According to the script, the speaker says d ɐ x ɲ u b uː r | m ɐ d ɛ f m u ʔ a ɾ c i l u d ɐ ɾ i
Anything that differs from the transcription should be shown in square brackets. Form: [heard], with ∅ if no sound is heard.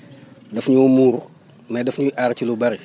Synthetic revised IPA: d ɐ [f] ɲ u [m] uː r | m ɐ d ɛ f [ɲ] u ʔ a ɾ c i l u [b] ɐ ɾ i